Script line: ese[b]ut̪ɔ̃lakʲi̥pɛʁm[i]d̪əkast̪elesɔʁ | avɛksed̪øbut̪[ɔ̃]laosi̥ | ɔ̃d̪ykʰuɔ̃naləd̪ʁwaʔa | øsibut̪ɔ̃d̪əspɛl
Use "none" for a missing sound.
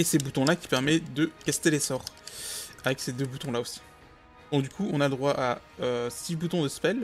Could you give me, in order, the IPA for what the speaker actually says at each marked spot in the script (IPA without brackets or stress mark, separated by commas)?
b, ɛ, ɔ̃